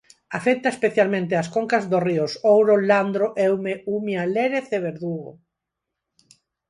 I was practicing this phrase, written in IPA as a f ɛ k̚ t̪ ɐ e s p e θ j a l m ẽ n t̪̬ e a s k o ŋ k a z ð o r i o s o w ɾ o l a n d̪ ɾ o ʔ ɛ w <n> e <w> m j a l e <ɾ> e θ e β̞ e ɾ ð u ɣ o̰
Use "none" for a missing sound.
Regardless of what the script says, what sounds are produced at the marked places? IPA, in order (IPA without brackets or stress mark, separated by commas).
m, u, ɾ